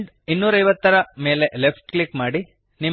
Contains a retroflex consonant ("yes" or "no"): yes